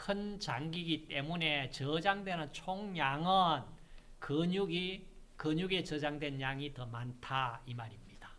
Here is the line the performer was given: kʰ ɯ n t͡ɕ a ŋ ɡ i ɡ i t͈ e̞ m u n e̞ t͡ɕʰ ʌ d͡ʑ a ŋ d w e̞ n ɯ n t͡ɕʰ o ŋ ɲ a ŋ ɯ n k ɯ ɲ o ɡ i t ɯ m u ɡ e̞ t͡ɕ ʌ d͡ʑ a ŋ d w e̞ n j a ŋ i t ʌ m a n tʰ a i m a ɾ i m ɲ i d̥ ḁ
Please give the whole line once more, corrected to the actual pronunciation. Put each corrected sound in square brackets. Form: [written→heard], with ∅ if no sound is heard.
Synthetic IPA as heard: kʰ ɯ n t͡ɕ a ŋ ɡ i ɡ i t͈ e̞ m u n e̞ [t͡ɕʰ→t͡ɕ] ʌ d͡ʑ a ŋ d w e̞ n ɯ n t͡ɕʰ o ŋ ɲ a ŋ ɯ n k ɯ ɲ [o→u] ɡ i [t→k] ɯ [m→ɲ] u ɡ e̞ t͡ɕ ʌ d͡ʑ a ŋ d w e̞ n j a ŋ i t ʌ m a n tʰ a i m a ɾ i m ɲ i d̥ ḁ